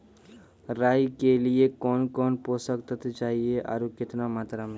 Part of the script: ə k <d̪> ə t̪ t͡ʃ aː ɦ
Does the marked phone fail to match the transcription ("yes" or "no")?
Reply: yes